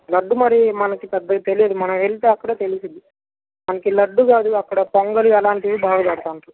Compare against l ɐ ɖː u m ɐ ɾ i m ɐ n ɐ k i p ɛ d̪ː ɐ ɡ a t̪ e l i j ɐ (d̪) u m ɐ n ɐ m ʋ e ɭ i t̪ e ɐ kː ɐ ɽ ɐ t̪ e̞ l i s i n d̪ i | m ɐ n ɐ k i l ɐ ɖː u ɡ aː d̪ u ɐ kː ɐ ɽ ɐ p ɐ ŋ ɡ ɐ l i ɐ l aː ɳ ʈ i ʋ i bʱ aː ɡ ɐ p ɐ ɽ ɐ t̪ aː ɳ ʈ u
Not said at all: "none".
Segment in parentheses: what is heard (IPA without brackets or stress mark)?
d̪